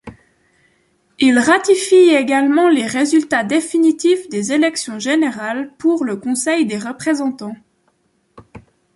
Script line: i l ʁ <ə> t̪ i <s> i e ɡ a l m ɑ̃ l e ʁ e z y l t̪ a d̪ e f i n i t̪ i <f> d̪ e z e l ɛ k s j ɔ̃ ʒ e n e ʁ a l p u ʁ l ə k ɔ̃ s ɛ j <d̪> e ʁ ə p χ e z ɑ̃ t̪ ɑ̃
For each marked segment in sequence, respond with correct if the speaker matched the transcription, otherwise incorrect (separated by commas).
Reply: incorrect, incorrect, correct, correct